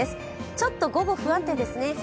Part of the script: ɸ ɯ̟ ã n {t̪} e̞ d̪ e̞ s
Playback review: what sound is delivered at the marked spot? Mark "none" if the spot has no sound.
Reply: t̪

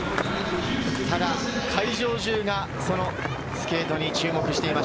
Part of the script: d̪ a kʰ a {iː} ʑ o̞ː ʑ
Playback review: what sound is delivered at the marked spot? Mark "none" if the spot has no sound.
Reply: i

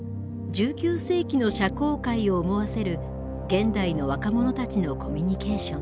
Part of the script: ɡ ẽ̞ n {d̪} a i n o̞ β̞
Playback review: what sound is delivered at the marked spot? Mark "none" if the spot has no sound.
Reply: d̪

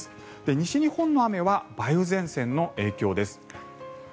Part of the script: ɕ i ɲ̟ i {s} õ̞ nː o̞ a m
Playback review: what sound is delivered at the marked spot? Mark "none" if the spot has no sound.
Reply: h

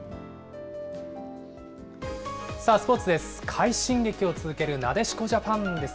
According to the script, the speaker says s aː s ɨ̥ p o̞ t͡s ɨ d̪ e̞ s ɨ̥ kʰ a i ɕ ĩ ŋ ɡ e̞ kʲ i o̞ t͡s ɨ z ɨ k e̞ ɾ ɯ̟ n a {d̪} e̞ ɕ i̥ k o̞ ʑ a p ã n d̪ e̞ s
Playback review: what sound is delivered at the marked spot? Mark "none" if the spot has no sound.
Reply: d̪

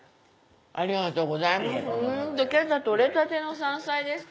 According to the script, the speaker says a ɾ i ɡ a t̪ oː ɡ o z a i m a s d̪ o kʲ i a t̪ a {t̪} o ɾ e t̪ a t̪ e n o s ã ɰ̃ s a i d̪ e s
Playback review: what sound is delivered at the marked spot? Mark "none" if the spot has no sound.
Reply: t̪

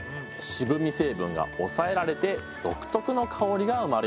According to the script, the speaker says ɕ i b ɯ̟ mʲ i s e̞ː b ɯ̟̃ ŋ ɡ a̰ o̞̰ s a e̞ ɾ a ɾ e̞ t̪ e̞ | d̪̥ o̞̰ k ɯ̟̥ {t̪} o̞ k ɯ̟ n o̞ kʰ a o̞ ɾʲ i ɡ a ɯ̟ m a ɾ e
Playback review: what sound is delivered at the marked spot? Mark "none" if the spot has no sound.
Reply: t̪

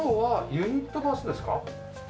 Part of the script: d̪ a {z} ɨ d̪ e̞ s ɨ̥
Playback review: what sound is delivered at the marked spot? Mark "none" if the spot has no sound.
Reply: s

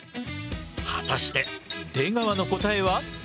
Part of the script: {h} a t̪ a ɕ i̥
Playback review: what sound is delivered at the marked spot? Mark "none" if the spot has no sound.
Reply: h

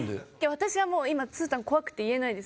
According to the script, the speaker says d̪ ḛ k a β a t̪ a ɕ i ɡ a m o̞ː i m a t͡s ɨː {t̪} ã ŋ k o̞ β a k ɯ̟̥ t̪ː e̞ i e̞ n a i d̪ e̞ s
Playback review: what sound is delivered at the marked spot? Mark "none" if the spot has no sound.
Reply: t̪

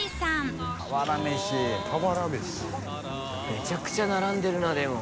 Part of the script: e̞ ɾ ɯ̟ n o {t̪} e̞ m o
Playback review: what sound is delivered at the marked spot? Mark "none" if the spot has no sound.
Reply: d̪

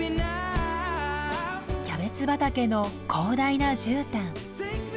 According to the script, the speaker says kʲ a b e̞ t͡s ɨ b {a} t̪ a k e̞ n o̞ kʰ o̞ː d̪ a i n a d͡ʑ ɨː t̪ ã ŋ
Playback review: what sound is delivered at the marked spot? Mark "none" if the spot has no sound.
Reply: a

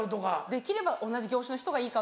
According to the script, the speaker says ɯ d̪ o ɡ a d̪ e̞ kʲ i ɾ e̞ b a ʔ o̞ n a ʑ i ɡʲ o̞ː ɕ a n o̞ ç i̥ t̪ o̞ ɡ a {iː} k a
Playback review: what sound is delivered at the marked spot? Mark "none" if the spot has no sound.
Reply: iː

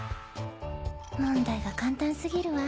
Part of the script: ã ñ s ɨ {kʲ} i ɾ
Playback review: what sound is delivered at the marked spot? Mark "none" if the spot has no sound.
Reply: ɡʲ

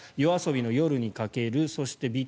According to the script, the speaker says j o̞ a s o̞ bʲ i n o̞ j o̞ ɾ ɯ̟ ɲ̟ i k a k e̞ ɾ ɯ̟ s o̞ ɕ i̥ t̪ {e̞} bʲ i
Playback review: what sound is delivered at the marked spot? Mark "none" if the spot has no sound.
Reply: e̞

